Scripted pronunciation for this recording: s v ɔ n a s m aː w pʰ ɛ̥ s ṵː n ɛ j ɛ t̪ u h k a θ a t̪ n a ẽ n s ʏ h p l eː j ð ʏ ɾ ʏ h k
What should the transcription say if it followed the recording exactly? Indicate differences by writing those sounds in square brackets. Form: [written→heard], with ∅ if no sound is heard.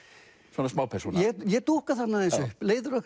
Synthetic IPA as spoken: s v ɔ n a s m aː w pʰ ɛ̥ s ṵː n ɛ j ɛ t̪ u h k a θ a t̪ n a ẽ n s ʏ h p l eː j ð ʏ ɾ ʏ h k